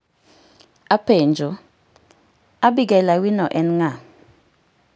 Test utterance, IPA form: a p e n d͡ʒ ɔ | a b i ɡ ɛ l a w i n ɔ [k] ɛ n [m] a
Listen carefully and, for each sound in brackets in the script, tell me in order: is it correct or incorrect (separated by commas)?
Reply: incorrect, incorrect